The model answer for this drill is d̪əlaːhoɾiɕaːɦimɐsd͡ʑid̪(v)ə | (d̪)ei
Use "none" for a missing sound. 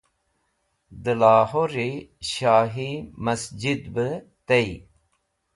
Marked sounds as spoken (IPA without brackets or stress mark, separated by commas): b, t̪